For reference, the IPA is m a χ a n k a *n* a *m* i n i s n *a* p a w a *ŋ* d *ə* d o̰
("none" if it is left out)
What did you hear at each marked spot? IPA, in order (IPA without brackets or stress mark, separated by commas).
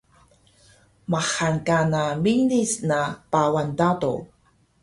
n, m, a, n, a